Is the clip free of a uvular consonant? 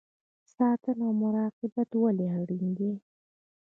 no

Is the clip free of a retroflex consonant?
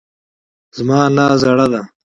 no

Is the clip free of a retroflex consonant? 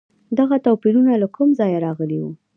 yes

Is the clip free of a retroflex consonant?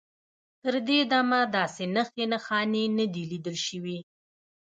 yes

